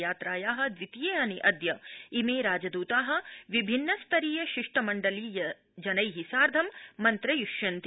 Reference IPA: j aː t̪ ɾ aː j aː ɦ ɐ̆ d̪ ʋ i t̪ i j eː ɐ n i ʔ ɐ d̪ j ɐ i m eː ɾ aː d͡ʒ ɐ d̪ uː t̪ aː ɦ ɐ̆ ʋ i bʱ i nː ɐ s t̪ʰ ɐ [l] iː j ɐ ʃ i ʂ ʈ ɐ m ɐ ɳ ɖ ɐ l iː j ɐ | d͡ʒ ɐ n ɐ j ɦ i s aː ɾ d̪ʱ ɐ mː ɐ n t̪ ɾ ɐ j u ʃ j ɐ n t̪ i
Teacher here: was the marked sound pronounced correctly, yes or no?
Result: no